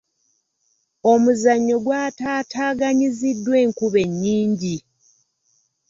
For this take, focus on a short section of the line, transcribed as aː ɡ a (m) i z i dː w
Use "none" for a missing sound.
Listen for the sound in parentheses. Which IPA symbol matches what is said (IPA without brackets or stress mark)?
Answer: ɲ